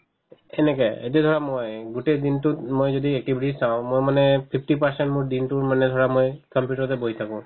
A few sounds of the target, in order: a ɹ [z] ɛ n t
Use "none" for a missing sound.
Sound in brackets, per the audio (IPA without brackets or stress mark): s